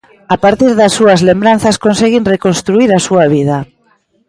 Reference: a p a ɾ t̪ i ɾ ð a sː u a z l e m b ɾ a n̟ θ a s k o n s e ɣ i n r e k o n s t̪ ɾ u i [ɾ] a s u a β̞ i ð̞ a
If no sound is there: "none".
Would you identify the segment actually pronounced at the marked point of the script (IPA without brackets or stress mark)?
ɾ